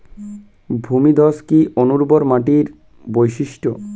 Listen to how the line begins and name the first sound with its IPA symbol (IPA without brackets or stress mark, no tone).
bʱ